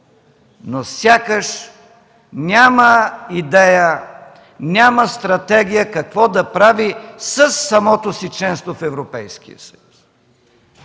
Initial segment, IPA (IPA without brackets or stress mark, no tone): n